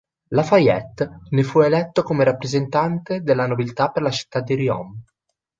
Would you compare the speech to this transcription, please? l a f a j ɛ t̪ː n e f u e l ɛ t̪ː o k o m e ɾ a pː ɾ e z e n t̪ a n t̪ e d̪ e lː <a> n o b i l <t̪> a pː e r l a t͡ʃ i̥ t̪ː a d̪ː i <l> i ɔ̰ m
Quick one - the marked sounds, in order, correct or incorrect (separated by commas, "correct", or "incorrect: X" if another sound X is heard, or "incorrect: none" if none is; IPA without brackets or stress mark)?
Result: correct, correct, incorrect: ɾ